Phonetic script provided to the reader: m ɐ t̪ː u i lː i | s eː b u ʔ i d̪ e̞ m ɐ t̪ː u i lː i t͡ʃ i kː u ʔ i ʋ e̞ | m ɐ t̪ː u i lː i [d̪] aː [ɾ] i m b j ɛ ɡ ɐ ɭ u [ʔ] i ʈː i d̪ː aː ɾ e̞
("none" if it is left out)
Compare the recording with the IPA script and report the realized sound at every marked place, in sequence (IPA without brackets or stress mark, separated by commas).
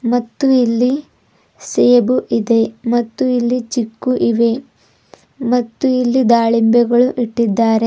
d̪, ɭ, ʔ